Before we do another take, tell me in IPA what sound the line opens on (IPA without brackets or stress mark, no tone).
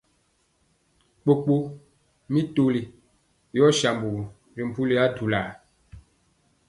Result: k͡p